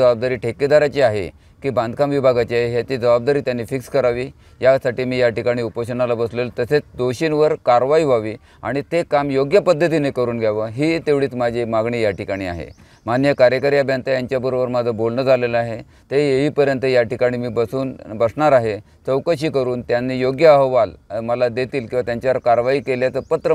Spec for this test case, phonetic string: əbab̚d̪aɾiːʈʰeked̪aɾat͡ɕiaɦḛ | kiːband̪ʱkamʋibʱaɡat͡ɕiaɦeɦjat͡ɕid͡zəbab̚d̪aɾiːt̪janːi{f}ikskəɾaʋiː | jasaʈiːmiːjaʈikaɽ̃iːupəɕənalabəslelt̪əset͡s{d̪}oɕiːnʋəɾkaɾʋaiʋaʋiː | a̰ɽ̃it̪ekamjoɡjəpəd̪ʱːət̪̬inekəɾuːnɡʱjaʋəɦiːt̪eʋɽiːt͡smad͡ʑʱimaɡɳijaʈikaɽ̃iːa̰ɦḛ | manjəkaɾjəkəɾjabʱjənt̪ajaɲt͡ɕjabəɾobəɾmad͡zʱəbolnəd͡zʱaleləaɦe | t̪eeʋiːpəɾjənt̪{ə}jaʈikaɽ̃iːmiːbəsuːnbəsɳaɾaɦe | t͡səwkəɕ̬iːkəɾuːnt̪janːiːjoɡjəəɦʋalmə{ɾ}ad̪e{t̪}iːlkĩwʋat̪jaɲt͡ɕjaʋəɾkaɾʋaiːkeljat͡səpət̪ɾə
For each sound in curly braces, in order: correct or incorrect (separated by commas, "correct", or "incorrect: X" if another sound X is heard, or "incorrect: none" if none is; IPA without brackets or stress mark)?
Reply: correct, correct, correct, incorrect: l, correct